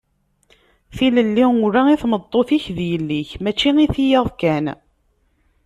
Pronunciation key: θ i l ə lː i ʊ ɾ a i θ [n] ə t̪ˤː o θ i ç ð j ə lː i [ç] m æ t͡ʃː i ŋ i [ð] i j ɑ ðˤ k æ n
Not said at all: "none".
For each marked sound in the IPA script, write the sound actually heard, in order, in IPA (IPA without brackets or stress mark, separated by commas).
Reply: m, ç, θ